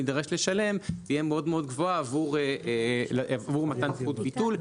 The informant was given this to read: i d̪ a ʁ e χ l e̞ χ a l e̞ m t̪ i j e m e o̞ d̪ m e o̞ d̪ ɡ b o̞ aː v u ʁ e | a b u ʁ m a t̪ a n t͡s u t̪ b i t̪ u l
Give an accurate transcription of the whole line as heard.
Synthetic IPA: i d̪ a ʁ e ʃ l e̞ ʃ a l e̞ m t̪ i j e m e o̞ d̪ m e o̞ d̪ ɡ v o̞ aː v u ʁ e | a v u ʁ m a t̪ a n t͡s u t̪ b i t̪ u l